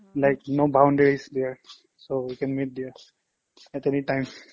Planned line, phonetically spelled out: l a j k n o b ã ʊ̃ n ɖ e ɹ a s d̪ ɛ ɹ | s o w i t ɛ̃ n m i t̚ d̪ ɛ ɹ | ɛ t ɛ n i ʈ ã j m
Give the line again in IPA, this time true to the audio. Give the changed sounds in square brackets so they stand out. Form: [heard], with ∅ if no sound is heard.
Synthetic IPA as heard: l a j k n o b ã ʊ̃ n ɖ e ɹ [i] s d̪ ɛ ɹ | s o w i [k] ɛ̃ n m i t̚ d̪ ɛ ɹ | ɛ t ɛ n i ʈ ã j m